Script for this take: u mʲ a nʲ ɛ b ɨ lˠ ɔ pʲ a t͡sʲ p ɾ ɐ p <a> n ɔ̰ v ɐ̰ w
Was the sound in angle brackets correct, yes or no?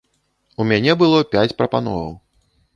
yes